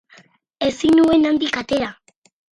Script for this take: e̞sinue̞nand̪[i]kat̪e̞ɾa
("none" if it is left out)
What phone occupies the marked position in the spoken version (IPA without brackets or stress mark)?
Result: i